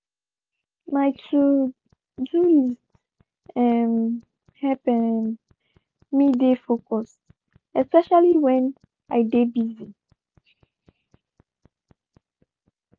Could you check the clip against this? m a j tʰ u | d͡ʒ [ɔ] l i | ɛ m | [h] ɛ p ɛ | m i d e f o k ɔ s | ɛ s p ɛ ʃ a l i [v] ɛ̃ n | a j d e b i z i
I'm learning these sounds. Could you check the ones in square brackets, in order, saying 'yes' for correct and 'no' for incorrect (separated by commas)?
no, yes, no